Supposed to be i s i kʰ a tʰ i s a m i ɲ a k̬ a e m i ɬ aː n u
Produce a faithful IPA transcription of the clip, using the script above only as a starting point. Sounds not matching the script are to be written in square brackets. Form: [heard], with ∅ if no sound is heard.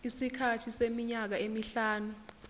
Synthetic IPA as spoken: i s i kʰ a tʰ i s [e] m i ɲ a k̬ a e m i ɬ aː n u

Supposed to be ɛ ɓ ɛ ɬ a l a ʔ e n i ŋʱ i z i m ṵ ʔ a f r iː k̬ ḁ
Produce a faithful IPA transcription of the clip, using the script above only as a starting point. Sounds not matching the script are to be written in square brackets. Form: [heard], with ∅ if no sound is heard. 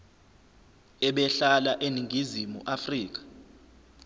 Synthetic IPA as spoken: ɛ ɓ ɛ ɬ a l a ʔ e n i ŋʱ i z i m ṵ ʔ a f r iː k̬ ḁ

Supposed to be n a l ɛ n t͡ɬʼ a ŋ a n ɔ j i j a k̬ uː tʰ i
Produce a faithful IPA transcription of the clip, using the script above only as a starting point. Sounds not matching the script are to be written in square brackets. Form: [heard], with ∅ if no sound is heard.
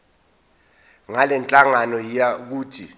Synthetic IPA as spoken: [ŋ] a l ɛ n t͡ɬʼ a ŋ a n ɔ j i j a k̬ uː tʰ i

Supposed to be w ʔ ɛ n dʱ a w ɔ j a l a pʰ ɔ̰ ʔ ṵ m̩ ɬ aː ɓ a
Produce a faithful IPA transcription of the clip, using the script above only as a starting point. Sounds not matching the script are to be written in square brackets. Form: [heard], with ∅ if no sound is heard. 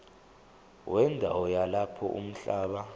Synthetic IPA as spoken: w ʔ ɛ n dʱ a w ɔ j a l a pʰ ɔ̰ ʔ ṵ m̩ ɬ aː ɓ a

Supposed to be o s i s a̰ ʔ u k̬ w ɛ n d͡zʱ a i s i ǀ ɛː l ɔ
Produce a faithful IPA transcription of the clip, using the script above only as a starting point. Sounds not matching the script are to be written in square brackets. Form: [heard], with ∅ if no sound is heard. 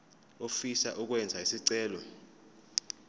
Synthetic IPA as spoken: o [f] i s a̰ ʔ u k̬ w ɛ n d͡zʱ a i s i ǀ ɛː l ɔ

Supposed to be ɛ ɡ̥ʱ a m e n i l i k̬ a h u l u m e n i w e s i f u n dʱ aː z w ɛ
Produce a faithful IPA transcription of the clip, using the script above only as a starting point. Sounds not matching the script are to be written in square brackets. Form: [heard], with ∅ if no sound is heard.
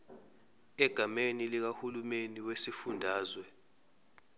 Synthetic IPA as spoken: ɛ ɡ̥ʱ a m e n i l i k̬ a h u l u m e n i w e s i f u n dʱ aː z w ɛ

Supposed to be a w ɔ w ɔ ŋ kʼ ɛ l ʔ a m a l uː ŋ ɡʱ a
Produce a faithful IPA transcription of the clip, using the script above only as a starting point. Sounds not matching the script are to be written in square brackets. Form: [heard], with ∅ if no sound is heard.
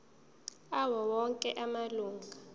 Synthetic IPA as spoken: a w ɔ w ɔ ŋ kʼ ɛ [∅] ʔ a m a l uː ŋ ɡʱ a

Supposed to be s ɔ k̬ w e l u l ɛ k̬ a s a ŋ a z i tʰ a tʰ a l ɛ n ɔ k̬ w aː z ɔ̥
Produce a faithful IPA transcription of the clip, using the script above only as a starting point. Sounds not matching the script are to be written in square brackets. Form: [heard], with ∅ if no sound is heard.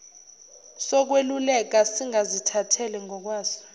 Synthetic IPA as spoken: s ɔ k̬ w e l u l ɛ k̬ a s [i] ŋ a z i tʰ a tʰ [ɛ] l ɛ [ŋ] ɔ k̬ w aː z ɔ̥

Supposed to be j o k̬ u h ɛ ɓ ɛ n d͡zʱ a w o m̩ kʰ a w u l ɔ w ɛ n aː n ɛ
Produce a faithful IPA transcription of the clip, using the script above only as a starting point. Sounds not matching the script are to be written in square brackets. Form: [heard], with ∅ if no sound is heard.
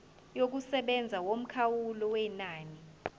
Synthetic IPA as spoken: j o k̬ u [s] ɛ ɓ ɛ n d͡zʱ a w o m̩ kʰ a w u l ɔ w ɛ n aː n [i]

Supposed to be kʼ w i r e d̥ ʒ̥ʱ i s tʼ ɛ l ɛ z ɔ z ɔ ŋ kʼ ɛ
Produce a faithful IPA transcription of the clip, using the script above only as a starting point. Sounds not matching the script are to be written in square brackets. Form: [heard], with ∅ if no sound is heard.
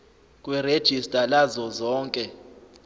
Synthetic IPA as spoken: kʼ w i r e d̥ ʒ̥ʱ i s tʼ [a] l [a] z ɔ z [ɔː] ŋ kʼ ɛ

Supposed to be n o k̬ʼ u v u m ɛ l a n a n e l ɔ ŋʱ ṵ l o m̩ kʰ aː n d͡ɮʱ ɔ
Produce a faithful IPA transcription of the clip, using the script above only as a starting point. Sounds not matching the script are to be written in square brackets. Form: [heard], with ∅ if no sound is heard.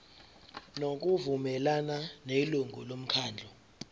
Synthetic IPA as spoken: n o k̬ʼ u v u m ɛ l a n a n e l [u] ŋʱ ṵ l o m̩ kʰ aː n d͡ɮʱ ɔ

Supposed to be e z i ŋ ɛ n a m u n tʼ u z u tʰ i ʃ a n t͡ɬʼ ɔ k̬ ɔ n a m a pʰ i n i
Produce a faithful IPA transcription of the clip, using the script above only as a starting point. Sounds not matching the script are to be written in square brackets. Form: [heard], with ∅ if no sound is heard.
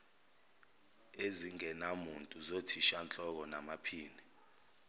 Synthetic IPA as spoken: e z i ŋ ɛ n a m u n tʼ u z [o] tʰ i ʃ a n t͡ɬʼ ɔ k̬ ɔ n a m a pʰ [iː] n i

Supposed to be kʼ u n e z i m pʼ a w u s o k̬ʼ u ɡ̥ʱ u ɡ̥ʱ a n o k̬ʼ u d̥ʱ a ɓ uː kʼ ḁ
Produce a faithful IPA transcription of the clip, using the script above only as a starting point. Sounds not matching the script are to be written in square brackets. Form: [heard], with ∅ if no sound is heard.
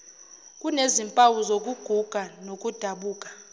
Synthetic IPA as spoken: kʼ u n e z i m pʼ a w u [z] o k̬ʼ u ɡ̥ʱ u ɡ̥ʱ a n o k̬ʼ u d̥ʱ a ɓ uː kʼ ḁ

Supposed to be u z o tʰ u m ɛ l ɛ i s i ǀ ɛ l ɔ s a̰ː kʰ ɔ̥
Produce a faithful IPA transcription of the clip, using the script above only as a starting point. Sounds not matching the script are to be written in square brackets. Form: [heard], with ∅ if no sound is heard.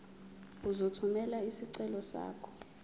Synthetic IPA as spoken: u z o tʰ u m ɛ l [a] i s i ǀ ɛ l ɔ s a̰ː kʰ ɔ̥

